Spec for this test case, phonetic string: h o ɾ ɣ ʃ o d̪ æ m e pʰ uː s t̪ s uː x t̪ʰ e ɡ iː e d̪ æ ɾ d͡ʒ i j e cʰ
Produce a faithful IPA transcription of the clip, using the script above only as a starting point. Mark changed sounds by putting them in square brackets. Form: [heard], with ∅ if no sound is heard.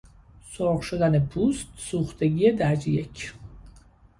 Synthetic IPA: [s] o ɾ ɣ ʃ o d̪ æ [n] e pʰ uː s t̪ s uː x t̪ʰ e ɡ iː e d̪ æ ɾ d͡ʒ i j e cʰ

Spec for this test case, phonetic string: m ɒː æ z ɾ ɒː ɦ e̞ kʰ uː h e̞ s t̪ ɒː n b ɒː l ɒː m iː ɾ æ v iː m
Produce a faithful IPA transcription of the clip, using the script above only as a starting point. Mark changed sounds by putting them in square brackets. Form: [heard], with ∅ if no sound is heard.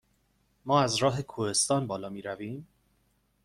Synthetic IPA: m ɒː æ z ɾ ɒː ɦ e̞ kʰ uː h e̞ s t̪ ɒː n b ɒː l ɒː m iː ɾ æ v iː m

